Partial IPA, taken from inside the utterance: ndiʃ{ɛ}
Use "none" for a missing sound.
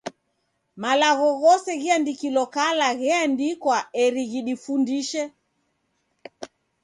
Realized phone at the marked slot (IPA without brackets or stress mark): ɛ